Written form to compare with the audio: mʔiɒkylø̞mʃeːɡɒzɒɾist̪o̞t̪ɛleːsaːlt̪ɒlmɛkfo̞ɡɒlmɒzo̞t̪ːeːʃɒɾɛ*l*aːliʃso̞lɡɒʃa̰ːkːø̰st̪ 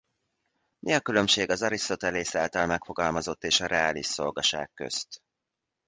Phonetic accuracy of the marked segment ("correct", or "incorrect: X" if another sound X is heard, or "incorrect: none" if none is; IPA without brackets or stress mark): incorrect: none